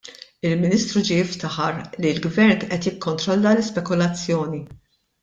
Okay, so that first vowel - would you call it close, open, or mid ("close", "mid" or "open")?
close